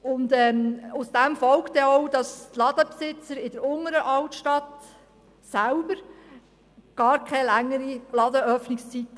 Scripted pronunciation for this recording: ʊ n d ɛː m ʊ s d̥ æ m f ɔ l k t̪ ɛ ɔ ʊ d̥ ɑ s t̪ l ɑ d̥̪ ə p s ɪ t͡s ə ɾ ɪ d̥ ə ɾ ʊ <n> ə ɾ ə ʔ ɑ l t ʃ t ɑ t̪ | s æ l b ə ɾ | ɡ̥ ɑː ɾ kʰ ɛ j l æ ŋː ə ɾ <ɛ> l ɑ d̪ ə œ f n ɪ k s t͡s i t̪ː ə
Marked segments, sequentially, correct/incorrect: incorrect, incorrect

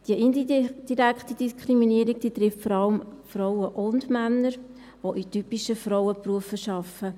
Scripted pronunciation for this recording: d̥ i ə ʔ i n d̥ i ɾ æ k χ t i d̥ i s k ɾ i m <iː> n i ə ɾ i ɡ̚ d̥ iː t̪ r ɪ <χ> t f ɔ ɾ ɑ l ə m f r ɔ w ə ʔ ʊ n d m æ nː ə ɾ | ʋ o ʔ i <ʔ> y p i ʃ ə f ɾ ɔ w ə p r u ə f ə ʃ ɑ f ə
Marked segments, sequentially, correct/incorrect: incorrect, incorrect, incorrect

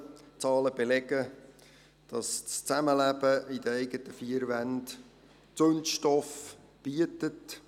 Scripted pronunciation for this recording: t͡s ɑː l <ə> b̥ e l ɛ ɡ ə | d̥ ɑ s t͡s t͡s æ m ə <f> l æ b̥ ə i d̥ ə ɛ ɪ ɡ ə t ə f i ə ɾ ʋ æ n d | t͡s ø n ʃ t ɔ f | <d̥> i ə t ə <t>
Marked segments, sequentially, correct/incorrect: correct, incorrect, incorrect, correct

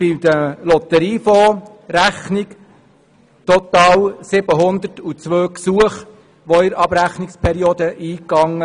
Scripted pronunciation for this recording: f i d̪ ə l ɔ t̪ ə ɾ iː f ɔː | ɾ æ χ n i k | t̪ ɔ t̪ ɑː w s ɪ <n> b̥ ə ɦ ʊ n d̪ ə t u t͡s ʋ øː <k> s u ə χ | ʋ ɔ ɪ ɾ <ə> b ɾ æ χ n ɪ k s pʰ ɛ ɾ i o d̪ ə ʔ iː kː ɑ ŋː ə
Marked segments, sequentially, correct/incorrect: incorrect, correct, incorrect

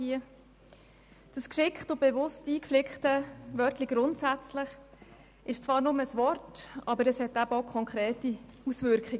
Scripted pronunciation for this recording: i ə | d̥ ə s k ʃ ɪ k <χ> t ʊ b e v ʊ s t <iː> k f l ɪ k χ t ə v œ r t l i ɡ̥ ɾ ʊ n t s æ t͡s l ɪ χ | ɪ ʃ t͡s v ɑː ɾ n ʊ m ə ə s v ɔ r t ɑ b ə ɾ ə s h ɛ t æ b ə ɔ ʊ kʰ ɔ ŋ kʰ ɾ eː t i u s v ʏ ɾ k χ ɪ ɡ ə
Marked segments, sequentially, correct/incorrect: correct, correct

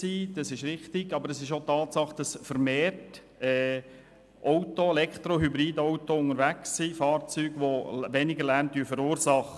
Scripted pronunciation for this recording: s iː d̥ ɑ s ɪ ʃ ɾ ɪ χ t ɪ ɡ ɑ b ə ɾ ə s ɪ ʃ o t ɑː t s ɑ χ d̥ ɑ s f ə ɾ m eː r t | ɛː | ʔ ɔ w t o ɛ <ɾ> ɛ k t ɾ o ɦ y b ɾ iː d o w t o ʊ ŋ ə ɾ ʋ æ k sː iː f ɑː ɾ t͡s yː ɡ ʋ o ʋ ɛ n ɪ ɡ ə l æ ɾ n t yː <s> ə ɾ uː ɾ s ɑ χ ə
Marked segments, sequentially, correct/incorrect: incorrect, incorrect

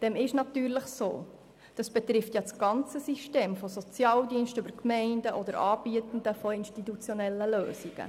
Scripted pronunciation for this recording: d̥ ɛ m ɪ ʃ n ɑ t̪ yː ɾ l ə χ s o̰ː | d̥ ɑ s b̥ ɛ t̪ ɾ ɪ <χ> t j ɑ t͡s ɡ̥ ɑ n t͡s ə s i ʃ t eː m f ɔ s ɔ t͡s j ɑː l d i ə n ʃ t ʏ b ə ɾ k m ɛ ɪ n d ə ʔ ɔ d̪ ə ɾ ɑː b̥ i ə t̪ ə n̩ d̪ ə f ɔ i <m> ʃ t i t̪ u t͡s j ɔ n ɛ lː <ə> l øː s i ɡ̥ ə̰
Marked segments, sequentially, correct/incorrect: incorrect, incorrect, correct

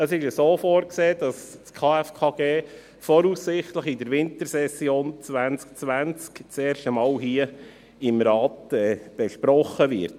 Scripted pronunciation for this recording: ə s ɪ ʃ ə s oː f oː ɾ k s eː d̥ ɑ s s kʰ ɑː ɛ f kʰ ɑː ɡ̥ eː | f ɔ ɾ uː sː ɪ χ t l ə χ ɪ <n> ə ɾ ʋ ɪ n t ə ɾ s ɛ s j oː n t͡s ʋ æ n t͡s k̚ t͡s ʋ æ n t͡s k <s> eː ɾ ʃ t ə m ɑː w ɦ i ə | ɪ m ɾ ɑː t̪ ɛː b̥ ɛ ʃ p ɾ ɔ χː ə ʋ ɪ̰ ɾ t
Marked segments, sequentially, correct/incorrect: incorrect, incorrect

